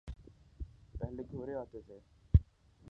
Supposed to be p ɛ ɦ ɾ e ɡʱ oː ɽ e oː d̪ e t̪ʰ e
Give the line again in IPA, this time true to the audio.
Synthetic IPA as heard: p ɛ ɦ l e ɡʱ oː ɾ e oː t̪ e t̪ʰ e